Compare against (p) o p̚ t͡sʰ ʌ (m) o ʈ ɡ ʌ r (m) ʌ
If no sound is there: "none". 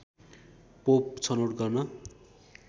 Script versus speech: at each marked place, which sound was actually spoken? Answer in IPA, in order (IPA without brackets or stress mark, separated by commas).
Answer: p, n, n